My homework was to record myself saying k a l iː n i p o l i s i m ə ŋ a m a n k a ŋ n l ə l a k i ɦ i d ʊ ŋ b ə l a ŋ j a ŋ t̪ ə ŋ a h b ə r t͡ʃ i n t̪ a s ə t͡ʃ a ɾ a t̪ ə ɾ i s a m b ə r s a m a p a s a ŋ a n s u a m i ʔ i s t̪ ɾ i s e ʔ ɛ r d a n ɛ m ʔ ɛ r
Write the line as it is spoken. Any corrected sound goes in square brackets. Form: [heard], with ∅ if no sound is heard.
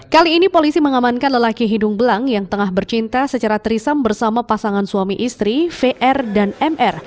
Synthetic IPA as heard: k a l iː n i p o l i s i m ə ŋ a m a n k a [∅] n l ə l a k i ɦ i d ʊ ŋ b ə l a ŋ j a ŋ t̪ ə ŋ a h b ə r t͡ʃ i n t̪ a s ə t͡ʃ a ɾ a t̪ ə ɾ i s a m b ə r s a m a p a s a ŋ a n s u a m i ʔ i s t̪ ɾ i [f] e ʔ ɛ r d a n ɛ m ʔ ɛ r